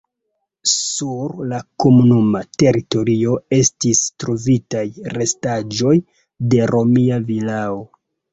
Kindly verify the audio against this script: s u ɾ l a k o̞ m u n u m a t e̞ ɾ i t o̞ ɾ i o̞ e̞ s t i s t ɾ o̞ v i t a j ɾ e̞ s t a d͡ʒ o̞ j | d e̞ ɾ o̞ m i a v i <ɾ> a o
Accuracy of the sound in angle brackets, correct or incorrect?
incorrect: l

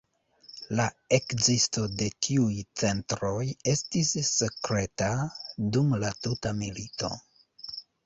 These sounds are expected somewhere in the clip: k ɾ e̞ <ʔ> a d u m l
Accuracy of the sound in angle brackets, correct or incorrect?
incorrect: t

